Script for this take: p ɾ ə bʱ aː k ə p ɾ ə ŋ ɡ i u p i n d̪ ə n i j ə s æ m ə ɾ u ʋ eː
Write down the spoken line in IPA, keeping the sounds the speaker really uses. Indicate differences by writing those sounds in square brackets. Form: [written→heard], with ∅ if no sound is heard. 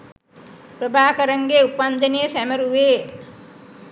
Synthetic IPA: p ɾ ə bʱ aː k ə [p→∅] ɾ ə ŋ ɡ [i→e] u p [i→a] n d̪ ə n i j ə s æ m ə ɾ u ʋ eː